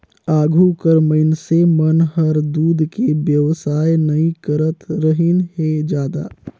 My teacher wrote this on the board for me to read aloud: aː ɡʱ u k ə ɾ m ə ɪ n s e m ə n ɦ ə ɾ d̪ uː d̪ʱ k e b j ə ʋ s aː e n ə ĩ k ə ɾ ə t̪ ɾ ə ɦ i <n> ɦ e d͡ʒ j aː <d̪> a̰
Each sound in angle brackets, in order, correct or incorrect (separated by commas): correct, correct